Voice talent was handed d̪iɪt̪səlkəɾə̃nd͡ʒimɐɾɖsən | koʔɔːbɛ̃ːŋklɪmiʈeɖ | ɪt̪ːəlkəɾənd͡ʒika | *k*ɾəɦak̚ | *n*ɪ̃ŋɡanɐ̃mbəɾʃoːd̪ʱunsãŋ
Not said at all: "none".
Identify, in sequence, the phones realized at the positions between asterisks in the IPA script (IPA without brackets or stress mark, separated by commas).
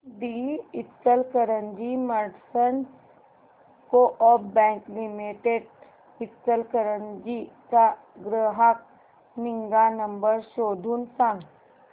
ɡ, n